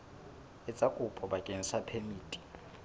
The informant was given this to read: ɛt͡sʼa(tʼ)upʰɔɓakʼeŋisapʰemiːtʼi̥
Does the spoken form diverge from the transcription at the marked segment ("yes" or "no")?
yes